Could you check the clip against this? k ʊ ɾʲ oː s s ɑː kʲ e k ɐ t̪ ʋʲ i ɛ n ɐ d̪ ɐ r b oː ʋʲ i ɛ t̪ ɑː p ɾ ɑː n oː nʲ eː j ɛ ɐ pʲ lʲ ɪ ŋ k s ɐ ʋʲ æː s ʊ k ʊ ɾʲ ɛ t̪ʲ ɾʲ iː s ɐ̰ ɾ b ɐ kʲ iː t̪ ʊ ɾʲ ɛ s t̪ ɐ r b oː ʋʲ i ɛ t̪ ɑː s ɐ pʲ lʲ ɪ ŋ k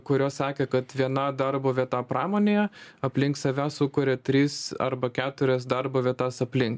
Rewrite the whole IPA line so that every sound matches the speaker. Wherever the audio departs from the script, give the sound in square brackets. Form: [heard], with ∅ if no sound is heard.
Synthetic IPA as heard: k ʊ ɾʲ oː s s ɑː kʲ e k ɐ t̪ ʋʲ i ɛ n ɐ d̪ ɐ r b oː ʋʲ i ɛ t̪ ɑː p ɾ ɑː [m] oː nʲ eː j ɛ ɐ pʲ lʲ ɪ ŋ k s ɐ ʋʲ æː s ʊ k ʊ ɾʲ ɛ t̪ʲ ɾʲ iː s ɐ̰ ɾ b ɐ kʲ [æː] t̪ ʊ ɾʲ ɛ s [d̪] ɐ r b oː ʋʲ i ɛ t̪ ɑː s ɐ pʲ lʲ ɪ ŋ k